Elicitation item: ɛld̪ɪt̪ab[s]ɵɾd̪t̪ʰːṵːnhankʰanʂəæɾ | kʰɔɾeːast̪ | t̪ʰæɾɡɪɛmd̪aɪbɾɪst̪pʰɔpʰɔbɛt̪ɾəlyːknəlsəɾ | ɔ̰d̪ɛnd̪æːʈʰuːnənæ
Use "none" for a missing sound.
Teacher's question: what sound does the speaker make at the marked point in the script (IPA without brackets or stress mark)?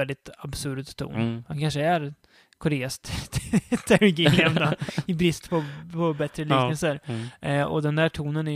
s